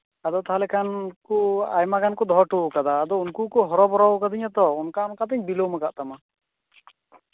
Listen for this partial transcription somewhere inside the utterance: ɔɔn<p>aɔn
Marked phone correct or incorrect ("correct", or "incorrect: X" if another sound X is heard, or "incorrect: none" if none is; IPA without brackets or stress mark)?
incorrect: k